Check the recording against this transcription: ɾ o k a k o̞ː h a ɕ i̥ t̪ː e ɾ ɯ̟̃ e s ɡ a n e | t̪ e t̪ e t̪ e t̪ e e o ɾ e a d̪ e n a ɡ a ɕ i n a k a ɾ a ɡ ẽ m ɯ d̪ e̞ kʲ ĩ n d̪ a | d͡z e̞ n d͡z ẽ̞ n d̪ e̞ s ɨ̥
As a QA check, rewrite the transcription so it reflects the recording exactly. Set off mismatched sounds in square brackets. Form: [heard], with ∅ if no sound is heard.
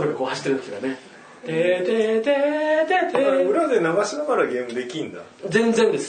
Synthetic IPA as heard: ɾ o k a k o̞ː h a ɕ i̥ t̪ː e ɾ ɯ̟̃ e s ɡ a n e | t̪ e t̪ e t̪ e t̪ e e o ɾ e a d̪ e n a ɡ a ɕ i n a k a ɾ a ɡ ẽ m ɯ d̪ e̞ kʲ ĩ n d̪ a | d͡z [ẽ̞] n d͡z ẽ̞ n d̪ e̞ s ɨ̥